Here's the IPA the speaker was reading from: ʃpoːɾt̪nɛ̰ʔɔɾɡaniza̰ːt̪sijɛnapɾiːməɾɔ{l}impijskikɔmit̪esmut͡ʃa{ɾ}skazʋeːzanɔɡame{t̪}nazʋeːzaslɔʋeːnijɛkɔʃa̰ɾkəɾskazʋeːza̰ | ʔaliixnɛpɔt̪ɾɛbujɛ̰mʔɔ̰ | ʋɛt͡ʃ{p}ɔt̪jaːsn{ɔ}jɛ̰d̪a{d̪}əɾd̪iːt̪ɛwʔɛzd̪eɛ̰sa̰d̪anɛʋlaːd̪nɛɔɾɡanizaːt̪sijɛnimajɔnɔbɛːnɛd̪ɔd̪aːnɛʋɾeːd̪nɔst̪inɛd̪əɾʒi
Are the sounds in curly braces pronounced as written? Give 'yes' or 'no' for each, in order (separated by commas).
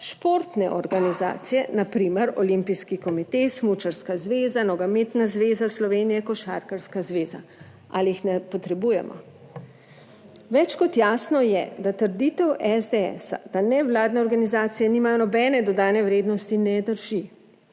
yes, yes, yes, no, yes, no